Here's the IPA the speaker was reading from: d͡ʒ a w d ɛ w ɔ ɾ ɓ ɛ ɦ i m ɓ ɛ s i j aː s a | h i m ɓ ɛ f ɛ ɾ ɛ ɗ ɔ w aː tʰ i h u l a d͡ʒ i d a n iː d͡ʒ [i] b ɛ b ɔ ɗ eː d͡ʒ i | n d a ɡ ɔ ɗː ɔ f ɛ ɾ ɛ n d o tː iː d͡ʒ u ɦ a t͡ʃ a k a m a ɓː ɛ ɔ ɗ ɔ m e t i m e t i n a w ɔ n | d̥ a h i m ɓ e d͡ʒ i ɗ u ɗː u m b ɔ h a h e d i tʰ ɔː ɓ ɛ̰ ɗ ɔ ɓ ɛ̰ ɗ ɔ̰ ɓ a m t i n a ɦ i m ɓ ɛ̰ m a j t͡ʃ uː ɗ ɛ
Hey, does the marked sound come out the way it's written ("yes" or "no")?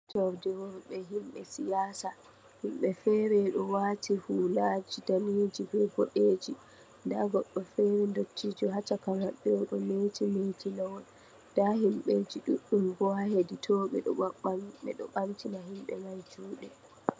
yes